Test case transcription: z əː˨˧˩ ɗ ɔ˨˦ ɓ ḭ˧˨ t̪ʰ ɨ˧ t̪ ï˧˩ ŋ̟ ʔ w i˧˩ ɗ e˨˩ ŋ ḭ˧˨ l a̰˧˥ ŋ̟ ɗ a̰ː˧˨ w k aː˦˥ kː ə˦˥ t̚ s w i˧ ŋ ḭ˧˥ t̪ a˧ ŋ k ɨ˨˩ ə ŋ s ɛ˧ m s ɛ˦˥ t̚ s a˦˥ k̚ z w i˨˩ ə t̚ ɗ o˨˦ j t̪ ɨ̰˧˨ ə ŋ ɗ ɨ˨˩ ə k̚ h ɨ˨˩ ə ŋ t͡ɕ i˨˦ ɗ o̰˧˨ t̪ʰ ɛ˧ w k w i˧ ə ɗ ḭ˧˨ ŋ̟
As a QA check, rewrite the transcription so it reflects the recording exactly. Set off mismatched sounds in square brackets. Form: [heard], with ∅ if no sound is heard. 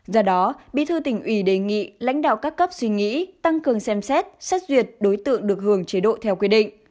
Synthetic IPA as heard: z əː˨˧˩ ɗ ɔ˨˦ ɓ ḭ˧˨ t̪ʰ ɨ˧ t̪ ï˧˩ ŋ̟ ʔ w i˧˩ ɗ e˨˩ ŋ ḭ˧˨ l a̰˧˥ ŋ̟ ɗ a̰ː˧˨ w k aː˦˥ kː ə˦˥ [p̚] s w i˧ ŋ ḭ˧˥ t̪ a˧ ŋ k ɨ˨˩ ə ŋ s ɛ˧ m s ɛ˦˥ t̚ s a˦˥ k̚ z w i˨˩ ə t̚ ɗ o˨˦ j t̪ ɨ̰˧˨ ə ŋ ɗ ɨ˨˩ ə k̚ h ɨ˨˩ ə ŋ t͡ɕ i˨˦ ɗ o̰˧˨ t̪ʰ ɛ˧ w k w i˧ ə ɗ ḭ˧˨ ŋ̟